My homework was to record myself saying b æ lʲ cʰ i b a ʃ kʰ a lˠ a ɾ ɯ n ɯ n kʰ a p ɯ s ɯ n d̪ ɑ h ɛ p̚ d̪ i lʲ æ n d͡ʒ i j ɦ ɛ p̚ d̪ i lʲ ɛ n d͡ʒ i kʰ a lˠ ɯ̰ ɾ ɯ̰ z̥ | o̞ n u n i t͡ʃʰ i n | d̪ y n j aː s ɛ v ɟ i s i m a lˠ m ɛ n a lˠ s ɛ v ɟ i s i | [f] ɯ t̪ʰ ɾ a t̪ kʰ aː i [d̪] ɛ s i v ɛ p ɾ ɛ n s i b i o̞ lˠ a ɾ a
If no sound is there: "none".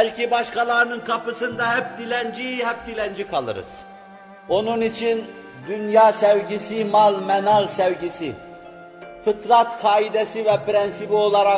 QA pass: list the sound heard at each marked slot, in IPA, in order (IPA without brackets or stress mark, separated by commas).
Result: f, d̪